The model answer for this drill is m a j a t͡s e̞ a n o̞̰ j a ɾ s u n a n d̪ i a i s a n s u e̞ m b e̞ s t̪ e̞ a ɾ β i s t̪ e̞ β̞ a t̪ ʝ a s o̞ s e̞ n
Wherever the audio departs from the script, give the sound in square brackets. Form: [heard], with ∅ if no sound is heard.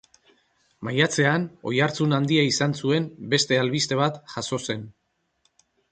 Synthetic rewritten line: m a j a t͡s e̞ a n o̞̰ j a ɾ [t͡s] u n a n d̪ i a i s a n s u e̞ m b e̞ s t̪ e̞ a [l] β i s t̪ e̞ β̞ a t̪ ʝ a s o̞ s e̞ n